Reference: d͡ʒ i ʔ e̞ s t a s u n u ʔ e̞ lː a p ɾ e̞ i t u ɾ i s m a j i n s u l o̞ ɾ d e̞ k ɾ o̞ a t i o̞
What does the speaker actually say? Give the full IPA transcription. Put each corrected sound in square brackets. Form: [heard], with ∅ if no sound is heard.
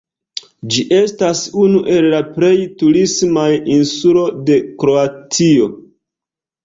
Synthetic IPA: d͡ʒ i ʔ e̞ s t a s u n u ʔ e̞ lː a p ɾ e̞ [j] t u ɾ i s m a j i n s u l o̞ [∅] d e̞ k ɾ o̞ a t i o̞